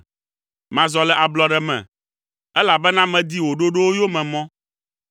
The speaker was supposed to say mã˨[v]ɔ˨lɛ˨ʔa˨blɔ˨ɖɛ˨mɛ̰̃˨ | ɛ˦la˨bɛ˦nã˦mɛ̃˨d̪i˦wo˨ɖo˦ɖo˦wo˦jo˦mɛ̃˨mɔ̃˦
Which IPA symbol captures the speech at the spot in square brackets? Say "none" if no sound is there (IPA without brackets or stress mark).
z